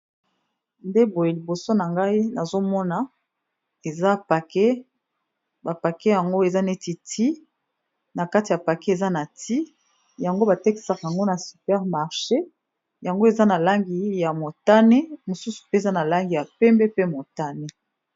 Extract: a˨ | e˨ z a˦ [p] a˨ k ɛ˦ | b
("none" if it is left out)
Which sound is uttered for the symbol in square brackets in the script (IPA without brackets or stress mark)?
p